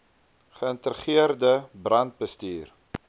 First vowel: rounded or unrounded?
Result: unrounded